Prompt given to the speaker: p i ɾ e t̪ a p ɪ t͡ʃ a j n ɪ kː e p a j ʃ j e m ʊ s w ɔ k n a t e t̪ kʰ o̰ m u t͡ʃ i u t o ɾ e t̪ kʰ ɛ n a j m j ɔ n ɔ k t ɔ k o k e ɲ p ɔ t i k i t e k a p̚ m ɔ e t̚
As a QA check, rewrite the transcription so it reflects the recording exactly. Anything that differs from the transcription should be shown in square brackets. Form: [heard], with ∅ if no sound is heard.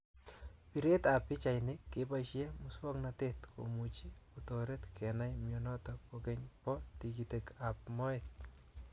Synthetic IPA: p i ɾ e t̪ a p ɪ t͡ʃ a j n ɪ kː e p a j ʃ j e m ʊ s w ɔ k n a t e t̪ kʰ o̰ m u t͡ʃ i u t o ɾ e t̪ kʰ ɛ n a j m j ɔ n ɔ [∅] t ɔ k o k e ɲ p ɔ t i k i t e k a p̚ m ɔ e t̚